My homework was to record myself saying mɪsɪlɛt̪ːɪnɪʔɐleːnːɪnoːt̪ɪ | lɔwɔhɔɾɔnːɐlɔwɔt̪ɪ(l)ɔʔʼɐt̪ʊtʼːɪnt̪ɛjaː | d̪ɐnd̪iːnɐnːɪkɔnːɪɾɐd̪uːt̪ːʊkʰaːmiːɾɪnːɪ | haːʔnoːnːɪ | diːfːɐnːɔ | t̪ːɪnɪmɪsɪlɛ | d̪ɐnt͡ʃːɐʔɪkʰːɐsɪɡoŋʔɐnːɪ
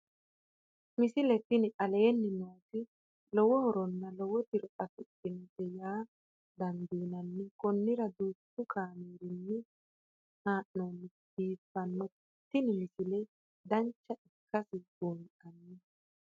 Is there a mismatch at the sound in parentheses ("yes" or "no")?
yes